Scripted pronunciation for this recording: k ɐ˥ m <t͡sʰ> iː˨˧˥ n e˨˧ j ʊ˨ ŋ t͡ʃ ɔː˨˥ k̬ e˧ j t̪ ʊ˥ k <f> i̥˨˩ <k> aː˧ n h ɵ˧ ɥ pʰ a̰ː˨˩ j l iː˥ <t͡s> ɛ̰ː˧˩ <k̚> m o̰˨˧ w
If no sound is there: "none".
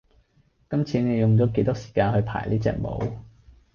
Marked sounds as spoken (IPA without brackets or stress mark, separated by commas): t͡sʰ, s, k, t͡s, k̚